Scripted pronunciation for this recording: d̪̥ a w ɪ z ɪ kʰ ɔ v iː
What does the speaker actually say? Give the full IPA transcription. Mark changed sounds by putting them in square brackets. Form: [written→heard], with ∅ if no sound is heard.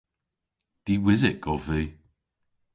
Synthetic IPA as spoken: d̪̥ [a→i] w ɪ z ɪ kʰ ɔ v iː